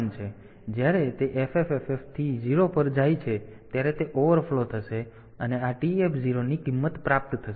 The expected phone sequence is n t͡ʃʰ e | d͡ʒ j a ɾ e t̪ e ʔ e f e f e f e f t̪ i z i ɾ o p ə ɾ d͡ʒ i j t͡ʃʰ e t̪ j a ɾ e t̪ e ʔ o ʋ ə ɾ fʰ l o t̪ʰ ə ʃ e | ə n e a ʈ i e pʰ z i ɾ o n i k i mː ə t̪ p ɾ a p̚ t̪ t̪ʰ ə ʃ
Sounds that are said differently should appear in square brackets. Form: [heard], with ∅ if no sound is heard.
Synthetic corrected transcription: n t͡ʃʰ e | d͡ʒ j a ɾ e t̪ e ʔ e f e f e f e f [t̪ʰ] i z i ɾ o p ə ɾ d͡ʒ [a] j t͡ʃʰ e t̪ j a ɾ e t̪ e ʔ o ʋ ə ɾ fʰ l o t̪ʰ ə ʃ e | ə n e a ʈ i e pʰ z i ɾ o n i k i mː ə t̪ p ɾ a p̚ t̪ t̪ʰ ə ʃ